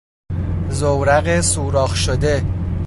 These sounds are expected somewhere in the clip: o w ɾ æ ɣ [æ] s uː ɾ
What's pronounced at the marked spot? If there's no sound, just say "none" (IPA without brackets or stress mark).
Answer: e